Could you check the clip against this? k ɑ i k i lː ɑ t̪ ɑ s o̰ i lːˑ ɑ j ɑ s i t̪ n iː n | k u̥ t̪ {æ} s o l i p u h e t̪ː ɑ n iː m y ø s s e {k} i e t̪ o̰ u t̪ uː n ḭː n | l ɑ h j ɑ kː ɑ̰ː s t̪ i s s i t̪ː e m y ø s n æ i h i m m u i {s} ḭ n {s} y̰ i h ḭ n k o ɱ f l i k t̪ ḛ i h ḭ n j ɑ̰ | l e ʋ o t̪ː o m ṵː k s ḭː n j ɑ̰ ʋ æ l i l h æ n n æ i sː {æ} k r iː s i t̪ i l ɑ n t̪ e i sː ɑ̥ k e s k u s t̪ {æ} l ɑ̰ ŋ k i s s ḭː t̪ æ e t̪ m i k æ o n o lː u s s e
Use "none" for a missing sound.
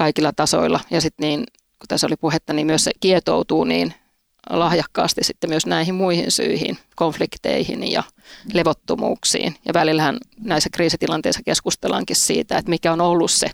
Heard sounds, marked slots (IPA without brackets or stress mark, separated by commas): æ, k, h, s, æ, e